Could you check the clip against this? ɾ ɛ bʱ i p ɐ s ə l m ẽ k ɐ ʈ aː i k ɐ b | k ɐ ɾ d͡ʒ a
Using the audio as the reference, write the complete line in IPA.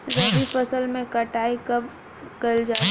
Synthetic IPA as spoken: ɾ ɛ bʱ i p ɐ s ə l m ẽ k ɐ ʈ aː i k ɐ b | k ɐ l d͡ʒ a